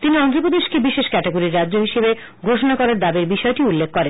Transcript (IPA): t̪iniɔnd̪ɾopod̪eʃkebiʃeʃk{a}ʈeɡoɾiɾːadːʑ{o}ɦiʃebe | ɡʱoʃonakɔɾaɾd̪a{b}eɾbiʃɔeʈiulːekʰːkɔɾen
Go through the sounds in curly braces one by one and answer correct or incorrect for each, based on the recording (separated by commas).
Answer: incorrect, correct, correct